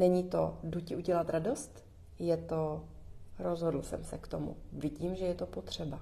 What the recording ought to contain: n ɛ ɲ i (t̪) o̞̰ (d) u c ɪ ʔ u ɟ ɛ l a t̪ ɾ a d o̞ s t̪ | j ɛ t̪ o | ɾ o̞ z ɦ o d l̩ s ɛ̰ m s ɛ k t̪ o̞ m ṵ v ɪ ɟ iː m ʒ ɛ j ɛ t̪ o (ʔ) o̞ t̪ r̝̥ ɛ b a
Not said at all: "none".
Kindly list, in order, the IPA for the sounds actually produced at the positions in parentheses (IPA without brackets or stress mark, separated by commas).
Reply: t̪, d, p